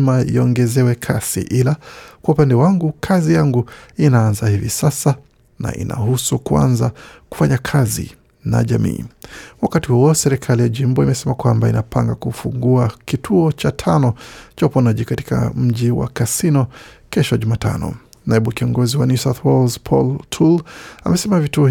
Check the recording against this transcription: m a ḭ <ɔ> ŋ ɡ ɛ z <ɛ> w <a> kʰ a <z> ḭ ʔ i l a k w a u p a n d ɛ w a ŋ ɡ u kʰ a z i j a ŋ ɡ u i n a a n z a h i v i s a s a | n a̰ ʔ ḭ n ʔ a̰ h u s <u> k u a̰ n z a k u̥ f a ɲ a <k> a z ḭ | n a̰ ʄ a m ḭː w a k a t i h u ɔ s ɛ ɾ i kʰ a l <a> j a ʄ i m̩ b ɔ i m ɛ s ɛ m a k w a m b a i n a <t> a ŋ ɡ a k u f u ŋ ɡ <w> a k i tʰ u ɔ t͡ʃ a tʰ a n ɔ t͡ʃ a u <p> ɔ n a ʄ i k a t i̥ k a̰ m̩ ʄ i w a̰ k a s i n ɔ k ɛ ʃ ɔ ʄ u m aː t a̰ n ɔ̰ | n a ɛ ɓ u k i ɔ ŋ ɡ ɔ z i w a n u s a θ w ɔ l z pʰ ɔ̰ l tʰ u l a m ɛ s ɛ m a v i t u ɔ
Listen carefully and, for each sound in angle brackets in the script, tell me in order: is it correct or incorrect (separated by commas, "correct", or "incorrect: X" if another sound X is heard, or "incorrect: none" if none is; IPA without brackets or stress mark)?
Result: correct, correct, incorrect: ɛ, incorrect: s, correct, incorrect: kʰ, incorrect: i, incorrect: p, incorrect: u, correct